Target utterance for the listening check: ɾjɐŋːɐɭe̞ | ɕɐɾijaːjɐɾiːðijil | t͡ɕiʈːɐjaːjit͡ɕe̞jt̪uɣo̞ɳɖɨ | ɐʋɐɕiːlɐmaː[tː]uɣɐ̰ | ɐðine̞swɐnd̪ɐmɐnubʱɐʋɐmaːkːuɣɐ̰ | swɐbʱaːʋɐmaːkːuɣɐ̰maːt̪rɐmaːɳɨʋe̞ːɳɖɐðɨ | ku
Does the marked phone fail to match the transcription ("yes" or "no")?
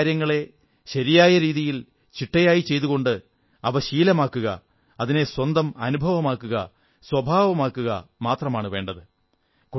yes